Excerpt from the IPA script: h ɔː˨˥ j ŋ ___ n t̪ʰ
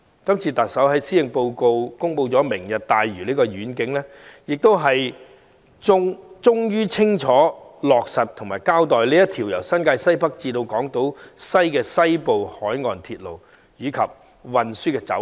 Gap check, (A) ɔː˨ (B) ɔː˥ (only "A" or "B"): A